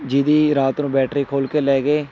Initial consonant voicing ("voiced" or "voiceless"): voiced